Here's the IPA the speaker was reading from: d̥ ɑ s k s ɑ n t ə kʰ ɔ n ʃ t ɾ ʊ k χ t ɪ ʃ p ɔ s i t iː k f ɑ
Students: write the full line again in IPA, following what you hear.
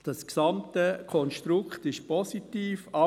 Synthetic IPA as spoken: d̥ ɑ s k s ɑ m t ə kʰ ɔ n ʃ t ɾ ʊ k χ t ɪ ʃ p ɔ s i t iː f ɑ